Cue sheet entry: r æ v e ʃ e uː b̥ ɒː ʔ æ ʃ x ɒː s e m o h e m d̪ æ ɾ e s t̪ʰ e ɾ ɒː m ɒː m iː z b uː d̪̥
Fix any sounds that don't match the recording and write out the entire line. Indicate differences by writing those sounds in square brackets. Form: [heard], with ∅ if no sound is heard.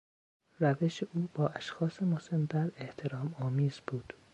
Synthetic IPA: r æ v e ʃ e uː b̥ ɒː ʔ æ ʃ x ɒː s e m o [s] e m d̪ æ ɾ e [h] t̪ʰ e ɾ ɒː m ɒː m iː z b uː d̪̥